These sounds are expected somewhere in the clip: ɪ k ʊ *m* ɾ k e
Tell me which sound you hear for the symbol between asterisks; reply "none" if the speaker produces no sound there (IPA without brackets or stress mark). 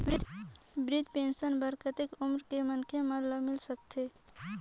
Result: m